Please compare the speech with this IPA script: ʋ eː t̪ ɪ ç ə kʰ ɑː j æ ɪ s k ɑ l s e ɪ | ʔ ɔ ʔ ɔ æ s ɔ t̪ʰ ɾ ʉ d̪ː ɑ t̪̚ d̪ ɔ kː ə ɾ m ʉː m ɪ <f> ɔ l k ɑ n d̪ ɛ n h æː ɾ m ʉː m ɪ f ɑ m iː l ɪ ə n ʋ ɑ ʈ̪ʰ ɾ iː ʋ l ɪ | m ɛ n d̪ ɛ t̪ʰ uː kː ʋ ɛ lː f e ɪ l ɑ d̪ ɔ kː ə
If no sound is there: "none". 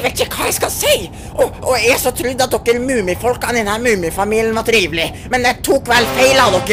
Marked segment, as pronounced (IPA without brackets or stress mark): f